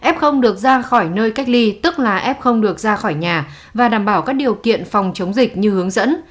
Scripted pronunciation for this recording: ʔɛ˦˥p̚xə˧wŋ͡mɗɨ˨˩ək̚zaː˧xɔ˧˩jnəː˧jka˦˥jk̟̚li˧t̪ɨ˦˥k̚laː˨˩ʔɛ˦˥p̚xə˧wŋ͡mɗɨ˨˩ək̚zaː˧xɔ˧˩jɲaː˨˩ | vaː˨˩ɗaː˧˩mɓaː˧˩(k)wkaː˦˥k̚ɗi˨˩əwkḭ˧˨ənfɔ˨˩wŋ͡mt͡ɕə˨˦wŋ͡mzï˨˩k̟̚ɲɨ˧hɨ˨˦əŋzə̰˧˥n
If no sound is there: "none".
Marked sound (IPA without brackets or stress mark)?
none